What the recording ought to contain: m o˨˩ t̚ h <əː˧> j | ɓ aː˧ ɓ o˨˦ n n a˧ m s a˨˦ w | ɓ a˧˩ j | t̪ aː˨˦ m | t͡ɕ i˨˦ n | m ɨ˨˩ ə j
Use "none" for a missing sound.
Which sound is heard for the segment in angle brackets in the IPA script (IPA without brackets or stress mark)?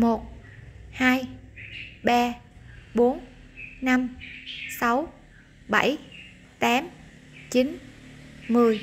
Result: aː˧